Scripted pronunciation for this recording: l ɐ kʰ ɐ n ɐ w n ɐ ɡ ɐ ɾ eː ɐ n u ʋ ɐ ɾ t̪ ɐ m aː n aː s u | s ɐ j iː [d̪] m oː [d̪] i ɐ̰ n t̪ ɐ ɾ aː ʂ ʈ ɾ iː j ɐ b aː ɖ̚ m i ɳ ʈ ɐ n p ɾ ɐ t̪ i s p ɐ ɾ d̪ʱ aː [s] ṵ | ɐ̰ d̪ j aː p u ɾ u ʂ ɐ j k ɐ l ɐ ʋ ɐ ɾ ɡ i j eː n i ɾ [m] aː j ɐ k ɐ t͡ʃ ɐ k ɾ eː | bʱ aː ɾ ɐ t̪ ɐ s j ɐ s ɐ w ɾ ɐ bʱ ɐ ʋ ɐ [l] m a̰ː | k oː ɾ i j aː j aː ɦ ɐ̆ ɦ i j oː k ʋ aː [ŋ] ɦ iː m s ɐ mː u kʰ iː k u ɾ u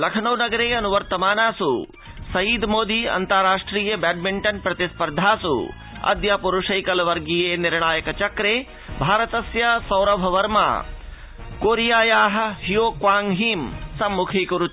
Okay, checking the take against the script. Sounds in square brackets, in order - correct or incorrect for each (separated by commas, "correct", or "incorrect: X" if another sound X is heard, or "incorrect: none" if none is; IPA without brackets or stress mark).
correct, correct, correct, incorrect: ɳ, incorrect: ɾ, correct